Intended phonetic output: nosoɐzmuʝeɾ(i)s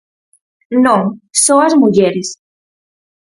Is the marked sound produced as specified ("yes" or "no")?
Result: yes